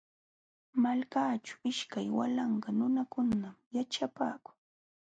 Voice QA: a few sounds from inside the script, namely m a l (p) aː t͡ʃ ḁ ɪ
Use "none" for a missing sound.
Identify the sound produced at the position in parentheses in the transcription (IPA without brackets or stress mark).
k